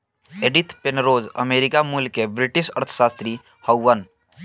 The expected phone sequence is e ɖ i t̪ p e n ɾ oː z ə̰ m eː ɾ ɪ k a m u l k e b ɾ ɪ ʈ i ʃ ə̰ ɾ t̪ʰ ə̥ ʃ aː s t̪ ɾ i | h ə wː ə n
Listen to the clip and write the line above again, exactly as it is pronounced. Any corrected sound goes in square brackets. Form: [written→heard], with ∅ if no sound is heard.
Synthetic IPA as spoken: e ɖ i t̪ p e n ɾ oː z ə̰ m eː ɾ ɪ k a m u l k e b ɾ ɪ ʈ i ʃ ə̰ ɾ t̪ʰ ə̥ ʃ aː s t̪ ɾ i | h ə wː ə n